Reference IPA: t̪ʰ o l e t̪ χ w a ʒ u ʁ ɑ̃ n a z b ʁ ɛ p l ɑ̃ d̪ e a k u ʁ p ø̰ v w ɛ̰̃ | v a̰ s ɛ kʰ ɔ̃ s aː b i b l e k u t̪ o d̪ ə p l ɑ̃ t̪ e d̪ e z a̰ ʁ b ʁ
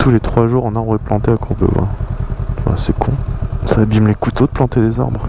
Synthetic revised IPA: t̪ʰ u l e t̪ χ w a ʒ u ʁ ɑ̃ n a ʁ b ʁ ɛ p l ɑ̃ t̪ e a k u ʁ b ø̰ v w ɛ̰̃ | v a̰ s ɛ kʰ ɔ̃ s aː b i m l e k u t̪ o d̪ ə p l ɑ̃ t̪ e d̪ e z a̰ ʁ b ʁ